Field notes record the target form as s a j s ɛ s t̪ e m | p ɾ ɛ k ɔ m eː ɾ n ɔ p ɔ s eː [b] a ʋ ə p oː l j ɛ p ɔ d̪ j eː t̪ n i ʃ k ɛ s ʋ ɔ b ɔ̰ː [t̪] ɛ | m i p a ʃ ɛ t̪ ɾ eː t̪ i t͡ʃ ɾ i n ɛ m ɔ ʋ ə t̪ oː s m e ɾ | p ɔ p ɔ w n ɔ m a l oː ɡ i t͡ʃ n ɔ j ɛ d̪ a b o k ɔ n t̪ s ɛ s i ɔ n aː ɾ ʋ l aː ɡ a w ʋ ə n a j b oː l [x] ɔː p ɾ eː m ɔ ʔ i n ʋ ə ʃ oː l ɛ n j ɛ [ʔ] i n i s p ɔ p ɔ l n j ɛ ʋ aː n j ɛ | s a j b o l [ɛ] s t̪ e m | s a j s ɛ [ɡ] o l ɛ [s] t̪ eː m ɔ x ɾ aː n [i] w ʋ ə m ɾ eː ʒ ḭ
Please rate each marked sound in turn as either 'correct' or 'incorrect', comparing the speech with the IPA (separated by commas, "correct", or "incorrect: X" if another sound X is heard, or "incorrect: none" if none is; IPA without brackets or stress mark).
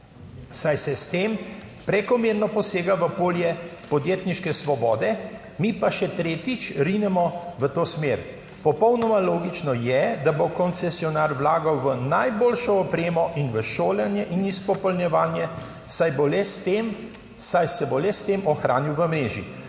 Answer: incorrect: ɡ, incorrect: d̪, incorrect: ʃ, correct, correct, incorrect: b, correct, correct